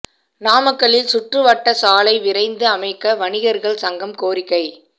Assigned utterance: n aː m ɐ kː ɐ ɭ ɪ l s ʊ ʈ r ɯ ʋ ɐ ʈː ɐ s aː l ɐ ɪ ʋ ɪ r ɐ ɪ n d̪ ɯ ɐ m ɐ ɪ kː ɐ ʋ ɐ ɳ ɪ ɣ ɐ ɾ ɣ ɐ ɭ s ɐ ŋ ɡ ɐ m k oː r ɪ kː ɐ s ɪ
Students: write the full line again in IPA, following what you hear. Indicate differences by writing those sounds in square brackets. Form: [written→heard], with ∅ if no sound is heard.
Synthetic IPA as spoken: n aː m ɐ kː ɐ ɭ ɪ l s ʊ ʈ r ɯ ʋ ɐ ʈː ɐ s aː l ɐ ɪ ʋ ɪ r ɐ ɪ n d̪ ɯ ɐ m ɐ ɪ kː ɐ ʋ ɐ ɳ ɪ ɣ ɐ ɾ ɣ ɐ ɭ s ɐ ŋ ɡ ɐ m k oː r ɪ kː ɐ [s→∅] ɪ